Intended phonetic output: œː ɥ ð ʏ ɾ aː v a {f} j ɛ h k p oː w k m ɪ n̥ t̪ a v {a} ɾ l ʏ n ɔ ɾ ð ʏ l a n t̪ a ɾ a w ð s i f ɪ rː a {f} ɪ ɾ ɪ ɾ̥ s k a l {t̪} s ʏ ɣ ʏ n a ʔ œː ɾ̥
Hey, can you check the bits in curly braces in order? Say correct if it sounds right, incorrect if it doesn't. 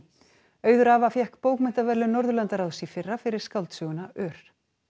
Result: correct, incorrect, correct, correct

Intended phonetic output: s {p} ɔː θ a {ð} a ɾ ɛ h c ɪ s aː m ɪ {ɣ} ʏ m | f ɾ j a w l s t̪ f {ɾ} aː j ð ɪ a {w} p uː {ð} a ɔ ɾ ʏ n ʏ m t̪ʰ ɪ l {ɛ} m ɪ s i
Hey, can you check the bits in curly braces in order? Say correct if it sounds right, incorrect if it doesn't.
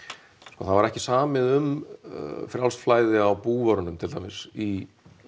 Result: incorrect, incorrect, incorrect, incorrect, correct, incorrect, incorrect

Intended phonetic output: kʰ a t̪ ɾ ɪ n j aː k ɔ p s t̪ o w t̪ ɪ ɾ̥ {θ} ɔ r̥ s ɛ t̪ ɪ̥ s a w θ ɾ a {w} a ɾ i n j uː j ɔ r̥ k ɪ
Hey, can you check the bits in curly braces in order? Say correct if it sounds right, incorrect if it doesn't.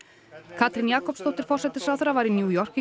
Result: incorrect, incorrect

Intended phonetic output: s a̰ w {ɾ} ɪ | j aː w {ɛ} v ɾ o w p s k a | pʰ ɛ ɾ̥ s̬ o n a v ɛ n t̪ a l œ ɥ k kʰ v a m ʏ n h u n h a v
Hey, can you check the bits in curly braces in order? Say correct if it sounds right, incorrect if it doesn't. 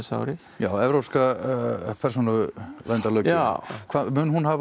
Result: correct, correct

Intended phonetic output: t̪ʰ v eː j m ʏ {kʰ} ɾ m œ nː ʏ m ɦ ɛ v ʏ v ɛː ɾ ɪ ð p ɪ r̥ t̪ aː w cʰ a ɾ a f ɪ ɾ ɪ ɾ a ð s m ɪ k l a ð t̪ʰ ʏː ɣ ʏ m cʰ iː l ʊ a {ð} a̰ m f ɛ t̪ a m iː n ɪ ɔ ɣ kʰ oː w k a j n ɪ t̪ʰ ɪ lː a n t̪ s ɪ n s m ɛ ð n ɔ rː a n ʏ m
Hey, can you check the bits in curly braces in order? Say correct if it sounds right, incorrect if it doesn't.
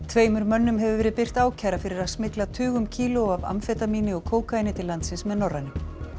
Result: incorrect, incorrect

